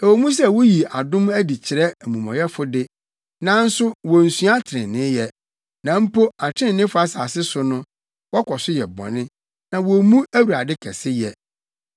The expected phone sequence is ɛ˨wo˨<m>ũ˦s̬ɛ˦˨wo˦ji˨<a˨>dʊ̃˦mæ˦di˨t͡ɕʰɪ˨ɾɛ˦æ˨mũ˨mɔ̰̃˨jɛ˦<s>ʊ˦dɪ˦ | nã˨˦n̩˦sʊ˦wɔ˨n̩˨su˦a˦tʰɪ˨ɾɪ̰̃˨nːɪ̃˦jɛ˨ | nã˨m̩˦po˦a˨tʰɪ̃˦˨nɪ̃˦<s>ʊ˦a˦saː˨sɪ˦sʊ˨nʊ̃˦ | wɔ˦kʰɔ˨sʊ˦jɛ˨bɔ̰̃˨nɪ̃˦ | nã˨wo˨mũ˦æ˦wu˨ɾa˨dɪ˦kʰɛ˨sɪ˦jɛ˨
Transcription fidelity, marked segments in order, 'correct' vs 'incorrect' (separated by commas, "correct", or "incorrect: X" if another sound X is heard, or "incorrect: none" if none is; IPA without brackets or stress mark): correct, correct, incorrect: f, incorrect: f